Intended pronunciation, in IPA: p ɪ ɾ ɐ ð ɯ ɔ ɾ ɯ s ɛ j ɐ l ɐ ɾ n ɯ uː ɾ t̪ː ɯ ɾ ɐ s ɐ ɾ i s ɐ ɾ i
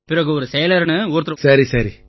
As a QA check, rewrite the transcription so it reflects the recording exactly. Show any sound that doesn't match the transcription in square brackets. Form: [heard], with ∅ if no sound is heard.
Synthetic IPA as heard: p ɪ ɾ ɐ [ɣ] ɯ ɔ ɾ ɯ s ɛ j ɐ l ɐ ɾ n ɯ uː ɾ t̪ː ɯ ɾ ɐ s ɐ ɾ i s ɐ ɾ i